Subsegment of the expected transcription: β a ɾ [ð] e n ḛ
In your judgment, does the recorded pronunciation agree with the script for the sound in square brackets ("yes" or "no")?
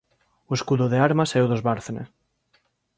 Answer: no